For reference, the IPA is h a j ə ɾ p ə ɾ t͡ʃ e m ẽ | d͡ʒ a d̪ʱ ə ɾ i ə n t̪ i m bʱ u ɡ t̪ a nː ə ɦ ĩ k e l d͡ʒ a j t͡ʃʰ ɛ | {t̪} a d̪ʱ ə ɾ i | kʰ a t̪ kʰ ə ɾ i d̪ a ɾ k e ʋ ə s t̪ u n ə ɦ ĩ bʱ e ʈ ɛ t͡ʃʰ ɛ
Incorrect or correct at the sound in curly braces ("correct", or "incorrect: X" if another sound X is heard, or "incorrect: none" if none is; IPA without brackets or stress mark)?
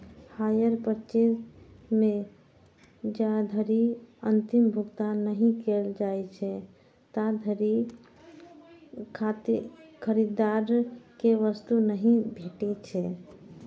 correct